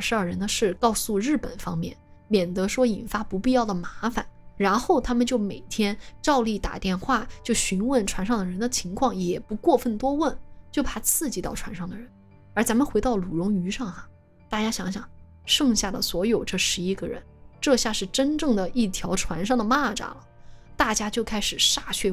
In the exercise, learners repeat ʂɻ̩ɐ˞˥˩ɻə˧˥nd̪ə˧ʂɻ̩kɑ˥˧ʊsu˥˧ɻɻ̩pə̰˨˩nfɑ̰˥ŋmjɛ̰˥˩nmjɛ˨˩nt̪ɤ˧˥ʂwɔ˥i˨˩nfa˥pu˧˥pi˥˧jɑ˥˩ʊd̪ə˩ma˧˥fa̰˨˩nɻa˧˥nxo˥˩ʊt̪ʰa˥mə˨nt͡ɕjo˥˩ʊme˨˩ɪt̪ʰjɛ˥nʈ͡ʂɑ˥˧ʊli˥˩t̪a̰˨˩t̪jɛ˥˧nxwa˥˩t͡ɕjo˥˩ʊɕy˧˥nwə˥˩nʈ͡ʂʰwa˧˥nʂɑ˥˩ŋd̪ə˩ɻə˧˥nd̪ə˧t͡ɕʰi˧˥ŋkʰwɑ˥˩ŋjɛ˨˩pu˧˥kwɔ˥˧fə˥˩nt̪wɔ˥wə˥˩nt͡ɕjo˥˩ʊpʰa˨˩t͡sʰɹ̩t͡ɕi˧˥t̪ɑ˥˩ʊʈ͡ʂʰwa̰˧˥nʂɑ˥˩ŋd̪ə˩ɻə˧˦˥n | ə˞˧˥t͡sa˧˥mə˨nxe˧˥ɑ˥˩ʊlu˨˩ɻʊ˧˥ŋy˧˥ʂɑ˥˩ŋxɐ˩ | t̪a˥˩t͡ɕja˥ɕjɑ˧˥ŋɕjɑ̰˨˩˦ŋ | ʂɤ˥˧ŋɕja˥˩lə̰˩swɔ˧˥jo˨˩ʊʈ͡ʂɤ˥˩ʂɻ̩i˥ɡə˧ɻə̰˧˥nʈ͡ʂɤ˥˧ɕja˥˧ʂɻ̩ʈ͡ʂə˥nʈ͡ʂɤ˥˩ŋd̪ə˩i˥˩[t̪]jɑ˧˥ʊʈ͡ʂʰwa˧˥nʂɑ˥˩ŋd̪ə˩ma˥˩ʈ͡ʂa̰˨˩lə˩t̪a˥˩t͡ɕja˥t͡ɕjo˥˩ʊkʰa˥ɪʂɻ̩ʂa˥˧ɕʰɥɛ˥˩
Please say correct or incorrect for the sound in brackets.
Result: incorrect